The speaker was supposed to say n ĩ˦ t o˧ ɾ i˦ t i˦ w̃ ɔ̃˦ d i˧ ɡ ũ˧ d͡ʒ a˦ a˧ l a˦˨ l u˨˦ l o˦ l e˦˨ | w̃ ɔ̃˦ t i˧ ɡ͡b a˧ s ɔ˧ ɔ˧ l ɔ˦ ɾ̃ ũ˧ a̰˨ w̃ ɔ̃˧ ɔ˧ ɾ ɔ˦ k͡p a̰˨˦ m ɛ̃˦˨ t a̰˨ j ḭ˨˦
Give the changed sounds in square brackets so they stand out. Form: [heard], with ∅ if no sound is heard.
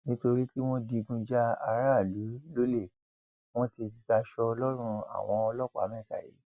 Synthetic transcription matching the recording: n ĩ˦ t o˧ ɾ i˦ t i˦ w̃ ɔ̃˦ d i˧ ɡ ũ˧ d͡ʒ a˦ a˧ [ɾ] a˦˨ l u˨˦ l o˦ l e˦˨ | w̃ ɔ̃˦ t i˧ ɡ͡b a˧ [ʃ] ɔ˧ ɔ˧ l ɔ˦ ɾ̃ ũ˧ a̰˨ w̃ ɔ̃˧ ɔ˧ [l] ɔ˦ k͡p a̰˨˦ m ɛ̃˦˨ t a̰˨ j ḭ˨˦